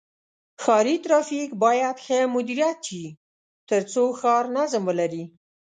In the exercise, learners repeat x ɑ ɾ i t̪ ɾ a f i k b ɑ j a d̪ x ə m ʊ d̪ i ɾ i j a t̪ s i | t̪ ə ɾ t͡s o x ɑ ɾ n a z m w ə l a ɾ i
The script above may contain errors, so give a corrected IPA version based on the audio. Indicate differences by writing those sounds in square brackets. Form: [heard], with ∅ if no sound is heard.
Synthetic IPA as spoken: x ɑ ɾ i t̪ ɾ [ɑ] f i k b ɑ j a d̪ x ə m ʊ d̪ i ɾ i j a t̪ [ʃ] i | t̪ ə ɾ t͡s o x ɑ ɾ n a z m w ə l a ɾ i